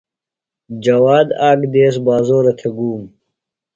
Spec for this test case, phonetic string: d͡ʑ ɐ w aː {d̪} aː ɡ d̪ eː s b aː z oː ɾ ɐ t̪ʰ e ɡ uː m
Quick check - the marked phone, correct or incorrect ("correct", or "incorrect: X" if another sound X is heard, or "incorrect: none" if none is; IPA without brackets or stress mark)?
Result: correct